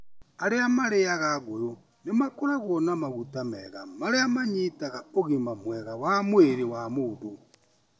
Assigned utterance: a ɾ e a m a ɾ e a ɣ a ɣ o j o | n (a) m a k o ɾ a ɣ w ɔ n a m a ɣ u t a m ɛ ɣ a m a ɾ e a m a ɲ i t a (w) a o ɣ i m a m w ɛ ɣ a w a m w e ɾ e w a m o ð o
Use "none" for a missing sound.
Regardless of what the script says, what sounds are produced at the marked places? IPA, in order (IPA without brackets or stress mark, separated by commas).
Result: e, ɣ